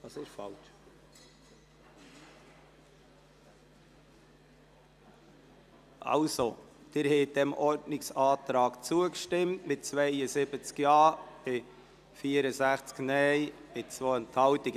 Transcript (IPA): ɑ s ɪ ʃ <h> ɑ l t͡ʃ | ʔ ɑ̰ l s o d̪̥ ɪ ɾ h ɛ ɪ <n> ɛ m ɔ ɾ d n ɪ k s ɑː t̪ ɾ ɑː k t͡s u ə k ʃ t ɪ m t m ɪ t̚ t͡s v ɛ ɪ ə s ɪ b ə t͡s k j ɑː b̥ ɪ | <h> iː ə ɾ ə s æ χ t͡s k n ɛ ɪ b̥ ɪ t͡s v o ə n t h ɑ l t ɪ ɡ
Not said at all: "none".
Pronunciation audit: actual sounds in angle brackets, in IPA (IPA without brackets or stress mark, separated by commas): f, d, f